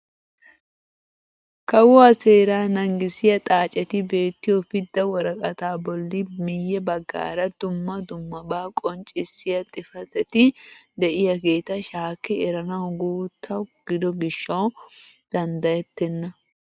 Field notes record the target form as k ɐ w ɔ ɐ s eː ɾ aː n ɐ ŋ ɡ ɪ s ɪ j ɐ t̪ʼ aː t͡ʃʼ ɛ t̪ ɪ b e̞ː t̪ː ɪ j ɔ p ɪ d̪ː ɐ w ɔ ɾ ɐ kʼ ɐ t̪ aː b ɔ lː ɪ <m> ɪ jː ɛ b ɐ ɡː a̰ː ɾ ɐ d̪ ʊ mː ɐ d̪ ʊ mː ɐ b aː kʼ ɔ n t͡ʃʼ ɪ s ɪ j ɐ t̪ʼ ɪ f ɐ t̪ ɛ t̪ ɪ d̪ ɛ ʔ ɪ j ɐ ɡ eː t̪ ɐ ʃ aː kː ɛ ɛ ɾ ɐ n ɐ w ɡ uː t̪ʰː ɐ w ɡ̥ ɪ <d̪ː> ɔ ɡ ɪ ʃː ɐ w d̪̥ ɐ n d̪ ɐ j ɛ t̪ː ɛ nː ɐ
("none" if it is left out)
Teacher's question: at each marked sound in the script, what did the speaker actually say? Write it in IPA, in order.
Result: m, d̪

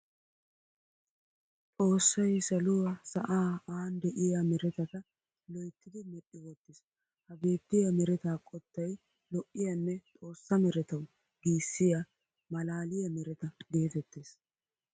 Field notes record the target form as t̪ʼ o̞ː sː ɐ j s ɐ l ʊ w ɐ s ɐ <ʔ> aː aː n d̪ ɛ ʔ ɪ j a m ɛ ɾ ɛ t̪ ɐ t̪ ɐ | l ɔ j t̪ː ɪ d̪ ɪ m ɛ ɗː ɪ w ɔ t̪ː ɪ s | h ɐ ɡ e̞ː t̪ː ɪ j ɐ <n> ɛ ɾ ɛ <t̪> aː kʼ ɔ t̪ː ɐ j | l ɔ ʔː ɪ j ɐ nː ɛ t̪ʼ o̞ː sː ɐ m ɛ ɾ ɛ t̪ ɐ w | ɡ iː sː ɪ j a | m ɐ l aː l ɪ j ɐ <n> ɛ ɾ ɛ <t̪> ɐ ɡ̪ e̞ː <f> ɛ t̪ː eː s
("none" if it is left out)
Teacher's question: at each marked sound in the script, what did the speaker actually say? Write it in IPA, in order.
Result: ʔ, m, t̪, m, t̪, f

